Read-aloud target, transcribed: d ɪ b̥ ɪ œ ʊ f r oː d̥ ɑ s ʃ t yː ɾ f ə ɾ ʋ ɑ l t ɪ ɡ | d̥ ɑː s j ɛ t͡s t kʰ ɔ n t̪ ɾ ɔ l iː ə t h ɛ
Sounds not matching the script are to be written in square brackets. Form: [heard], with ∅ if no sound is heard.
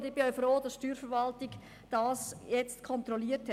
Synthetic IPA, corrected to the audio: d ɪ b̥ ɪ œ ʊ f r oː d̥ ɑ s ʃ t yː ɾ f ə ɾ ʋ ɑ l t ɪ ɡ | d̥ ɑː s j ɛ t͡s t kʰ ɔ n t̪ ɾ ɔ l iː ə t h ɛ

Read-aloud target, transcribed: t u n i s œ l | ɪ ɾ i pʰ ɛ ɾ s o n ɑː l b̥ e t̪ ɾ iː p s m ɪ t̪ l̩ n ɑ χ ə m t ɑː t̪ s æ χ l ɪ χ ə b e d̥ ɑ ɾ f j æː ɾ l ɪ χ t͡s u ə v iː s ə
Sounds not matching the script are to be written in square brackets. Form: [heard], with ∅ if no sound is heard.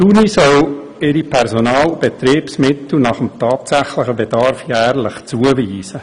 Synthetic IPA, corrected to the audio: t u n i s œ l | ɪ ɾ i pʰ ɛ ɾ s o n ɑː l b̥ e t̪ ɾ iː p s m ɪ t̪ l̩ n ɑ χ ə m t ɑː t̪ s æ χ l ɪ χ ə b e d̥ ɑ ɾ f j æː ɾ l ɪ χ t͡s u ə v iː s ə

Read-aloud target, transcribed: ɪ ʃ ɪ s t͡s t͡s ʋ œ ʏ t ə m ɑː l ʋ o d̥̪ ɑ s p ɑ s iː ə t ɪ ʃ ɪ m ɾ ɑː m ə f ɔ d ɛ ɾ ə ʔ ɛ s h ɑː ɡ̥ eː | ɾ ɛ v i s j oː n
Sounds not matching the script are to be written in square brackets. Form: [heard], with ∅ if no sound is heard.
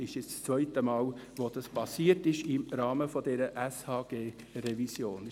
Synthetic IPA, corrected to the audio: ɪ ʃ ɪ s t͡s t͡s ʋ œ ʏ t ə m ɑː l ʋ o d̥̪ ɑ s p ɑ s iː ə t ɪ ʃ ɪ m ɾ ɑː m ə f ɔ d ɛ ɾ ə ʔ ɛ s h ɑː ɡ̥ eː | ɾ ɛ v i s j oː n

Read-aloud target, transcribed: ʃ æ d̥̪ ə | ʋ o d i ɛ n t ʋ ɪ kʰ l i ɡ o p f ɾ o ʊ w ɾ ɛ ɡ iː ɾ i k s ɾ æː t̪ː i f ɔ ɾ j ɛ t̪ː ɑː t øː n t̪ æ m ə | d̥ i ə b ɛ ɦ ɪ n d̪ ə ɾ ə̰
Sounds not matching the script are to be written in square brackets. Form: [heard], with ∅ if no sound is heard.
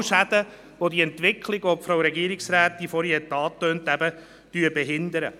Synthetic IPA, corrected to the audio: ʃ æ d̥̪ ə | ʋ o d i ɛ n t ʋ ɪ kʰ l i ɡ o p f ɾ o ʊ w ɾ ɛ ɡ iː ɾ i k s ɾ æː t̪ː i f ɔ ɾ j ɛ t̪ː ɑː t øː n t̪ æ [b] ə | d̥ [y] ə b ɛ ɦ ɪ n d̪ ə ɾ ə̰

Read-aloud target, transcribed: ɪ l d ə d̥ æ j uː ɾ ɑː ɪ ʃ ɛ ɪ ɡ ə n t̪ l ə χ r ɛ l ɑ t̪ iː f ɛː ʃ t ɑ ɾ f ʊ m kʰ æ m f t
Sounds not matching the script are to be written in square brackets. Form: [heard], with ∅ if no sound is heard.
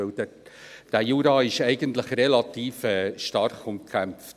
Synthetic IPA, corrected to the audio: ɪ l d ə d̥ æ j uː ɾ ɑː ɪ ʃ ɛ ɪ ɡ ə n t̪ l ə χ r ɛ l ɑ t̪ iː f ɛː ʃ t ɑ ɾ [χ] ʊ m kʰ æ m f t

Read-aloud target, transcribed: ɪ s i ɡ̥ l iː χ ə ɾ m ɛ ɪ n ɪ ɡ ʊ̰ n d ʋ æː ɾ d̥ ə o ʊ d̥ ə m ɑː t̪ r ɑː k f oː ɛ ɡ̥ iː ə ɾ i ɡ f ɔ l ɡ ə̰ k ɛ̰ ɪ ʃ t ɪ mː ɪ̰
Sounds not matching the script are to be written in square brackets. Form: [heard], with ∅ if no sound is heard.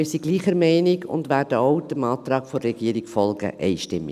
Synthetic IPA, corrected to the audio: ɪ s i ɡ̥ l iː χ ə ɾ m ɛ ɪ n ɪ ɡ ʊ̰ n d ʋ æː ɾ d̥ ə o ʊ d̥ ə m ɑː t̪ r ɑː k f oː ɛ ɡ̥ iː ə ɾ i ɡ f ɔ l ɡ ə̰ [ʔ] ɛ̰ ɪ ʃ t ɪ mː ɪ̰

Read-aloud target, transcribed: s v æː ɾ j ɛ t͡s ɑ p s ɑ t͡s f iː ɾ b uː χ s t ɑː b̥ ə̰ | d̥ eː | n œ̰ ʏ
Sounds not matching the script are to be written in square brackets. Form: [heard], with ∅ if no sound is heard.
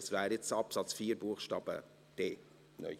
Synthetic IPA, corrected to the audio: s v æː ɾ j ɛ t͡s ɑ p s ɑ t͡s f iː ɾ b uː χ [ʃ] t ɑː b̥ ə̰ | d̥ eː | n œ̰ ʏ

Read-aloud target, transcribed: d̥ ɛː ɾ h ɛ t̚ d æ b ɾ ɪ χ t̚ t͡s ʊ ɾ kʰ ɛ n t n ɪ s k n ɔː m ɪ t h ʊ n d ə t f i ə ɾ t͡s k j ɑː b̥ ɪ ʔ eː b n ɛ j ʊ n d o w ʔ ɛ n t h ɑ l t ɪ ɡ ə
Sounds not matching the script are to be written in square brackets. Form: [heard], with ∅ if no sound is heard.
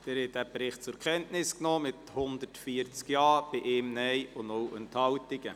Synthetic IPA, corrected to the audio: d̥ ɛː ɾ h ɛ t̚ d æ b ɾ ɪ χ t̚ t͡s ʊ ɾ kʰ ɛ n t n ɪ s k n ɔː m ɪ t h ʊ n d ə t f i ə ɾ t͡s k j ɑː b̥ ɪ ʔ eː [m] n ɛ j ʊ n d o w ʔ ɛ n t h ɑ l t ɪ ɡ ə

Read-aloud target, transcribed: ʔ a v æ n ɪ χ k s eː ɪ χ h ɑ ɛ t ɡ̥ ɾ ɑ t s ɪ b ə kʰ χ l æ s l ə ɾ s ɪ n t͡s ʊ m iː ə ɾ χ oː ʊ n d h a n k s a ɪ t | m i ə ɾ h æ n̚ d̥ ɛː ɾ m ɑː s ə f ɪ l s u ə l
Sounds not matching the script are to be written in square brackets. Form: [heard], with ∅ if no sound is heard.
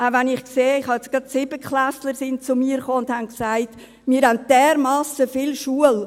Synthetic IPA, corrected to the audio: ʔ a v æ n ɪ χ k s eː ɪ χ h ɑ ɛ [t͡s] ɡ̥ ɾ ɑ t s ɪ b ə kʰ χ l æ s l ə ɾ s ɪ n t͡s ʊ m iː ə ɾ χ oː ʊ n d h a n k s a ɪ t | m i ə ɾ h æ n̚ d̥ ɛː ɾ m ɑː s ə f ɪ l [ʃ] u ə l

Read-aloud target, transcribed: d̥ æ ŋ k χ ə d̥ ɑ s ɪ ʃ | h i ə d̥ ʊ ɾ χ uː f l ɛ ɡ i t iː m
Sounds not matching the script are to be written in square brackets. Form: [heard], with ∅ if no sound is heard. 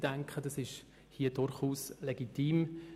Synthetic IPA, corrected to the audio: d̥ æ ŋ k χ ə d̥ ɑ s ɪ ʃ | h i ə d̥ ʊ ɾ χ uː [s] l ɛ ɡ i t iː m

